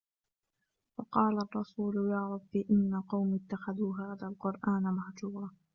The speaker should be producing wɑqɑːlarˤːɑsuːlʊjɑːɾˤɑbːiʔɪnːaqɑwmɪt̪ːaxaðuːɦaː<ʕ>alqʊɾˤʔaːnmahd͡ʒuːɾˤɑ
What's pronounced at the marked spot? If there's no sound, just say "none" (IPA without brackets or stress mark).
ð